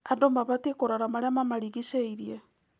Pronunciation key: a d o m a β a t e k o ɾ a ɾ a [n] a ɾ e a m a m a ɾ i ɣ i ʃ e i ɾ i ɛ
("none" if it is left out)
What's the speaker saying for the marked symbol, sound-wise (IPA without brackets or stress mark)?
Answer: m